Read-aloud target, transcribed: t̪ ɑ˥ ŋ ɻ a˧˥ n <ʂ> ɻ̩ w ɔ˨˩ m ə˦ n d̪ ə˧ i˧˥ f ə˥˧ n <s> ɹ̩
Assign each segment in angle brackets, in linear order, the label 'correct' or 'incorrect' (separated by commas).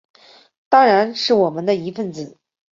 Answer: correct, incorrect